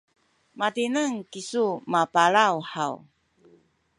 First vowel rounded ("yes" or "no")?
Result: no